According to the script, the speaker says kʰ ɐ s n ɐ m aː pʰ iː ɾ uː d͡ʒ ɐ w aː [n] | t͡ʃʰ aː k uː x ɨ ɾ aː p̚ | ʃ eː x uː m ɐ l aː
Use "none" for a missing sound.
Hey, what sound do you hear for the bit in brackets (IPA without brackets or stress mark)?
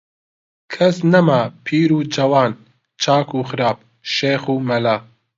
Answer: n